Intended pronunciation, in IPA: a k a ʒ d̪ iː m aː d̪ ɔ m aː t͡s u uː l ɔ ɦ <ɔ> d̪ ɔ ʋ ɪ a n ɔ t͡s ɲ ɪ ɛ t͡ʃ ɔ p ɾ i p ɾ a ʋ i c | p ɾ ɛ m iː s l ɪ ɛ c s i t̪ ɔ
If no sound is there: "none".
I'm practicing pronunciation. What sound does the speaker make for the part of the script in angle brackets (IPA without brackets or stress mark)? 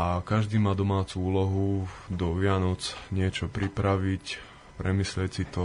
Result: u